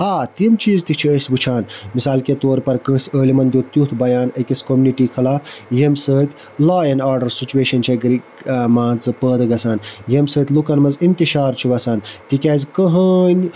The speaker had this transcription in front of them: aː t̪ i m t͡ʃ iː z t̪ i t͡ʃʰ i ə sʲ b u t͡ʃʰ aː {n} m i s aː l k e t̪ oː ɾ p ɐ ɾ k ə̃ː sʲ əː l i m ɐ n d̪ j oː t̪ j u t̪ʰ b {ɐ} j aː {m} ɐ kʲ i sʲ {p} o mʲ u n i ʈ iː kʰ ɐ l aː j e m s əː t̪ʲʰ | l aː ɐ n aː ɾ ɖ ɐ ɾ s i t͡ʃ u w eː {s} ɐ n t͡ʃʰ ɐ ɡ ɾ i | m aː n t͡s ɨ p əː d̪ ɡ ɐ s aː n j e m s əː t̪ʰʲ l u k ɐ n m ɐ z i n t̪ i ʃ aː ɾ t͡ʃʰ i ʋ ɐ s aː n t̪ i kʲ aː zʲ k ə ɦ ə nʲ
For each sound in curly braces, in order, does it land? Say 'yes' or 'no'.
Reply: yes, yes, no, no, no

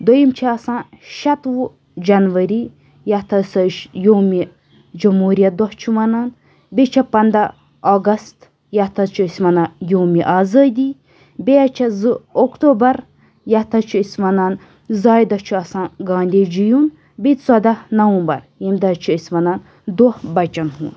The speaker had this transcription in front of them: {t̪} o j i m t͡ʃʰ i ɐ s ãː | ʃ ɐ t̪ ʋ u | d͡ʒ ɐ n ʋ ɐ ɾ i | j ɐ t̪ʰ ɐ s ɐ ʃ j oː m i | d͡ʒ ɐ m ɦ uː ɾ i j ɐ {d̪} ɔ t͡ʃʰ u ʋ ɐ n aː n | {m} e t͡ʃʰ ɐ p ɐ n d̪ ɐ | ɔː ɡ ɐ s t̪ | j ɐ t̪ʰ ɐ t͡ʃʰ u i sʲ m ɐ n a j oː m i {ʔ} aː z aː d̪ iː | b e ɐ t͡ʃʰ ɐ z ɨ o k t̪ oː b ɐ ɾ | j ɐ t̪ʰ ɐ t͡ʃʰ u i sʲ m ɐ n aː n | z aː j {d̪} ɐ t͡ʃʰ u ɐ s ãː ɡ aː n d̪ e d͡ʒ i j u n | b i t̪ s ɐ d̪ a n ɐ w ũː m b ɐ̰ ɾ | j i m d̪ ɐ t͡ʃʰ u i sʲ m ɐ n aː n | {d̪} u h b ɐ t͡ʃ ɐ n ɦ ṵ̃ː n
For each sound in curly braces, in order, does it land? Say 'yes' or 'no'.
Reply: no, yes, no, yes, yes, yes

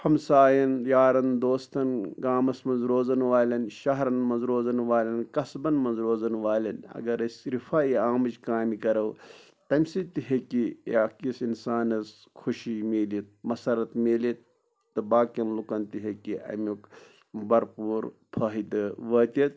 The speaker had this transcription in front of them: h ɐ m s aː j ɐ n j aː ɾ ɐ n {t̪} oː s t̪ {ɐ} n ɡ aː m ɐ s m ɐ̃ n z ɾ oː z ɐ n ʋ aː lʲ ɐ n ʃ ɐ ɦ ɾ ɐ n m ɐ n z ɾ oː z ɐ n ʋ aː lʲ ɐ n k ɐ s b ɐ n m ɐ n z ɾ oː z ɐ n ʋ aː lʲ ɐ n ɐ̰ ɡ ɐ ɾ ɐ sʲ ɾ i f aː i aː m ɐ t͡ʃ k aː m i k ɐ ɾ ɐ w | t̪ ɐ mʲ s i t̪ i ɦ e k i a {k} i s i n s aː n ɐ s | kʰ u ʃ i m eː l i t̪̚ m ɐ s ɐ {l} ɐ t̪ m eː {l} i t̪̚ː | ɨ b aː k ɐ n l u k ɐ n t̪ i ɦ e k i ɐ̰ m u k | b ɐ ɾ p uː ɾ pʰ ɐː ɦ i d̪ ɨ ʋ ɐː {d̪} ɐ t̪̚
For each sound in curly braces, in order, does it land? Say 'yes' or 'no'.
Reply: no, yes, yes, no, yes, no

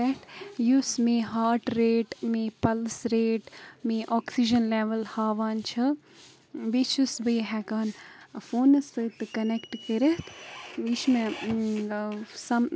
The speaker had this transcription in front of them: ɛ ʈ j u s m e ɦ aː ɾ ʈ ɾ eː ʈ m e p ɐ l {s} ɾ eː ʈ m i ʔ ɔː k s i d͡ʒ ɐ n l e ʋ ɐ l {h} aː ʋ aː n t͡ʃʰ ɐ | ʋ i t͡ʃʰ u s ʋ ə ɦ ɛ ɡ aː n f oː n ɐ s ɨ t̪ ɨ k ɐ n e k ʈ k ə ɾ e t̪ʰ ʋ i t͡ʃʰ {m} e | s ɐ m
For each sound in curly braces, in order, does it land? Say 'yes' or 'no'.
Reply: yes, yes, yes

